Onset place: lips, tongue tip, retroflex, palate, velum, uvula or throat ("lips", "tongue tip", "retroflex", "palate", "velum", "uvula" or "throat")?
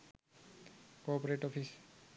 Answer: velum